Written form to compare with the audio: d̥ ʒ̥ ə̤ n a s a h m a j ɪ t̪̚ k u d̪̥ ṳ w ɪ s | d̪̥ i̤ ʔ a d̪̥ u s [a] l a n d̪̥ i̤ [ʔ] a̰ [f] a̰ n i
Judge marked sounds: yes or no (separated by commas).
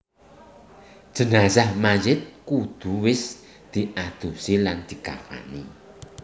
no, no, yes